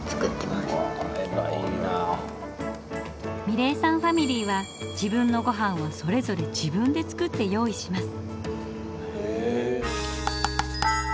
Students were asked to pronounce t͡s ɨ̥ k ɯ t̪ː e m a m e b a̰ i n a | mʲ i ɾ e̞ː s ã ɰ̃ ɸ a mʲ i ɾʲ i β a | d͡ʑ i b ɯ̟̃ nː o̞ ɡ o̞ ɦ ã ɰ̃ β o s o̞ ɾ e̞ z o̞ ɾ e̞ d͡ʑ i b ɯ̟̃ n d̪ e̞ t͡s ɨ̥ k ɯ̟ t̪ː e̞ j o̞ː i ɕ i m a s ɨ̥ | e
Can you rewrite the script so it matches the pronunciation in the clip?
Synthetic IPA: t͡s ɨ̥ k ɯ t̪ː e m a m e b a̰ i n a | mʲ i ɾ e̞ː s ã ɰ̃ ɸ a mʲ i ɾʲ iː β a | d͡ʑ i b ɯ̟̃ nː o̞ ɡ o̞ ɦ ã ɰ̃ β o s o̞ ɾ e̞ z o̞ ɾ e̞ d͡ʑ i b ɯ̟̃ n d̪ e̞ t͡s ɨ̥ k ɯ̟ t̪ː e̞ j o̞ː i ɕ i m a s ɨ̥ | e